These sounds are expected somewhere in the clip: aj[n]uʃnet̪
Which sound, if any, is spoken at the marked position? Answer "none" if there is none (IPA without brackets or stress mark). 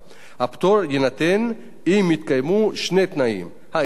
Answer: m